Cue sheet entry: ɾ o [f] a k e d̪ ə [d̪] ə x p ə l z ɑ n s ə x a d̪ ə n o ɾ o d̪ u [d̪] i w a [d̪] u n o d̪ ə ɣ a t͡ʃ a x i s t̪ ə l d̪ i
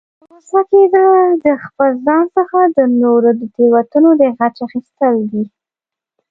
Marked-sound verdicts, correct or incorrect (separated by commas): incorrect, correct, incorrect, incorrect